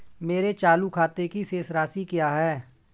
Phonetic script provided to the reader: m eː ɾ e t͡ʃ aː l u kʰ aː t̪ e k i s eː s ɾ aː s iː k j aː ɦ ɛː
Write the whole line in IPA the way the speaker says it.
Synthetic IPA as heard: m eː ɾ e t͡ʃ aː l u kʰ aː t̪ e k i s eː s ɾ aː s i k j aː ɦ ɛː